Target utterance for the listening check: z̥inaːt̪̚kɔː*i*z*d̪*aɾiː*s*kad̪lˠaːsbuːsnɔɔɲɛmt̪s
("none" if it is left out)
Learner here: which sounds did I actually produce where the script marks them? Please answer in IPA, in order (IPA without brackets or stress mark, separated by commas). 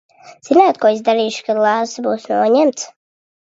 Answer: i, d̪, ʃ